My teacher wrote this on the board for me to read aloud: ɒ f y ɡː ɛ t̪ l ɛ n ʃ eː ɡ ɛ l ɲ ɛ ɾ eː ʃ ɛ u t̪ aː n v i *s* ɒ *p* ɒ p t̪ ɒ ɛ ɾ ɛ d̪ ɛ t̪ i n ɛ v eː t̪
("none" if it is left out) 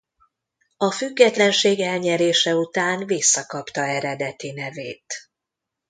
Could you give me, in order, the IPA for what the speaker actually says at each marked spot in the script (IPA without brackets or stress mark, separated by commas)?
sː, k